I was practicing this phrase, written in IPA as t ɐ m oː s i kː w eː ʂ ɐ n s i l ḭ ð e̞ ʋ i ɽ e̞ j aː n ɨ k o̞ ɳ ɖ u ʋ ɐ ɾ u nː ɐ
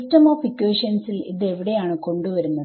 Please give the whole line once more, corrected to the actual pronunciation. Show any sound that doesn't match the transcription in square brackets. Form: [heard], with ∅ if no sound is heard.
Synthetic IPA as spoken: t ɐ m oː [f] i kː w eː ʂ ɐ n s i l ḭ ð e̞ ʋ i ɽ e̞ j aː [ɳ] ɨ k o̞ ɳ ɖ u ʋ ɐ ɾ u nː ɐ

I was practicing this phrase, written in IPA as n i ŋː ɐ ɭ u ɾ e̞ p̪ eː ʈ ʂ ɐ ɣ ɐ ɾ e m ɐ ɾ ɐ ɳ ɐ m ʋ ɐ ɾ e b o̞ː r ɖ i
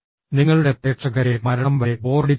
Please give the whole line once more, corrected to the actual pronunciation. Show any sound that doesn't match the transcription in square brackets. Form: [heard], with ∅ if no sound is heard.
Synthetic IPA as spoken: n i ŋː ɐ ɭ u [ɽ] e̞ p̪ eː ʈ ʂ ɐ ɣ ɐ ɾ e m ɐ ɾ ɐ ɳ ɐ m ʋ ɐ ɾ e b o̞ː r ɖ i

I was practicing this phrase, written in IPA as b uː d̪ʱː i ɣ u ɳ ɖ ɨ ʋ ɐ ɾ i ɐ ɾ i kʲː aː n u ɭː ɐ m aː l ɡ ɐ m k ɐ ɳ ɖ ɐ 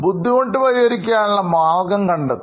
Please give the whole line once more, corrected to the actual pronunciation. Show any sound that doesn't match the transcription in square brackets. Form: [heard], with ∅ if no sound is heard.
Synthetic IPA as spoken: b [u] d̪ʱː i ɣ [o] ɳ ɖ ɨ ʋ ɐ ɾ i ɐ ɾ i kʲː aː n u ɭː ɐ m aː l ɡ ɐ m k ɐ ɳ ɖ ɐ

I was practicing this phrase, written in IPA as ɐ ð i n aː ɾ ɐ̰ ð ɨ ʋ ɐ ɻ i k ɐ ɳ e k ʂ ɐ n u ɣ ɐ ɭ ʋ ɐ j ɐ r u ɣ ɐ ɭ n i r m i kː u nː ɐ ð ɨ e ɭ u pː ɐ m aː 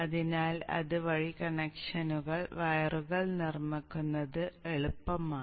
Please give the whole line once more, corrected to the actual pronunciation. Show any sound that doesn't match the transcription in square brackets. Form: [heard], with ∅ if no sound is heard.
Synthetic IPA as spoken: ɐ ð i n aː [l] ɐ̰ ð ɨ ʋ ɐ ɻ i k ɐ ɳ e k ʂ ɐ n u ɣ ɐ ɭ ʋ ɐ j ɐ r u ɣ ɐ ɭ n i r m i kː u nː ɐ ð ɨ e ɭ u pː ɐ m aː

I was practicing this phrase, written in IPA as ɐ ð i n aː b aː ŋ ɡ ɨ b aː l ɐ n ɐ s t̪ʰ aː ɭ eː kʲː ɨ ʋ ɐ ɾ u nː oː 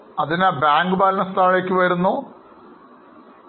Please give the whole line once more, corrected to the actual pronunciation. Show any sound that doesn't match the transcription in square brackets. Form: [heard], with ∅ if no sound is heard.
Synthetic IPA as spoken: ɐ ð i n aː b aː ŋ ɡ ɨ b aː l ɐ n ɐ s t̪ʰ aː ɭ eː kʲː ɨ ʋ ɐ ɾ u nː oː

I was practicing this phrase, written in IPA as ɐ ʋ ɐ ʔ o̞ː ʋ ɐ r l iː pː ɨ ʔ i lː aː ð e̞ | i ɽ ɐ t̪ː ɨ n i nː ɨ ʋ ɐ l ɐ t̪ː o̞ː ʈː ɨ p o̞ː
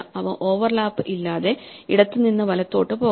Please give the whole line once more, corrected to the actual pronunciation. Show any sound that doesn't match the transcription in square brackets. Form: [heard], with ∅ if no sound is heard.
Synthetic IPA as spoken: ɐ ʋ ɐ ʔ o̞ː ʋ ɐ r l [aː] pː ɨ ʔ i lː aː ð e̞ | i ɽ ɐ t̪ː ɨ n i nː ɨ ʋ ɐ l ɐ t̪ː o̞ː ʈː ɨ p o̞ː

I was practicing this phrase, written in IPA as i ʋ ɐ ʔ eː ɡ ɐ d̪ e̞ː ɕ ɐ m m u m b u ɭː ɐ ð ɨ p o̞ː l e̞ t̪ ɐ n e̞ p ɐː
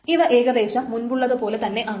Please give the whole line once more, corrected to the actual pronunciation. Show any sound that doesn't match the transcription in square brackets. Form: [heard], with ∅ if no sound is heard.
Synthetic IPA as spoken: i ʋ ɐ ʔ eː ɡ ɐ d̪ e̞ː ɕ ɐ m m u [n] b u ɭː ɐ ð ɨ p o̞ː l e̞ t̪ ɐ [nː] e̞ [ʔ] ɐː

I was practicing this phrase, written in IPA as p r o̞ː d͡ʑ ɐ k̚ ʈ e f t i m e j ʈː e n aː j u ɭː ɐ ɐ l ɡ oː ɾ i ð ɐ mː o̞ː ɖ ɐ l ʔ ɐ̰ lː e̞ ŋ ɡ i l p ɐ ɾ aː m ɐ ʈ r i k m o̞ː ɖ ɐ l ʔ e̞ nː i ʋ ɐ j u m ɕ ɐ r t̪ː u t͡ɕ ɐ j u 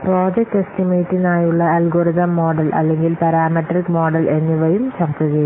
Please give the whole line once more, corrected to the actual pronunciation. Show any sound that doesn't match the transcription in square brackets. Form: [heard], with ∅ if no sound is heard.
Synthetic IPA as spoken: p r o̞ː d͡ʑ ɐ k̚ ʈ e [s] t i m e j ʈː [i] n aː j u ɭː ɐ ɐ l ɡ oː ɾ i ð ɐ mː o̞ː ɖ ɐ l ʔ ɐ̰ lː e̞ ŋ ɡ i l p ɐ ɾ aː m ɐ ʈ r i k m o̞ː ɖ ɐ l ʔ e̞ nː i ʋ ɐ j u m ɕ ɐ r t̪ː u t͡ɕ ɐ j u

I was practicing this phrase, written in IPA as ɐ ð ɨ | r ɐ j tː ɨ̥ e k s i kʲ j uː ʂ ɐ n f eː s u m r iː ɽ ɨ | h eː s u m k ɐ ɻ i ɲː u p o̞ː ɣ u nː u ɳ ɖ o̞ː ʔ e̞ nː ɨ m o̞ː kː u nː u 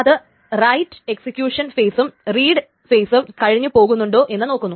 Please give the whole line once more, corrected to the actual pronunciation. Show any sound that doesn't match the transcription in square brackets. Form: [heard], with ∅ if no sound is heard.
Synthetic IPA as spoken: ɐ ð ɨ | r ɐ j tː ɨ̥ e k s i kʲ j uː ʂ ɐ n f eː s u m r iː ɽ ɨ | [f] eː s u m k ɐ ɻ i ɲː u p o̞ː ɣ u nː u ɳ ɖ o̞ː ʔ e̞ nː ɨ [n] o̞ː kː u nː u

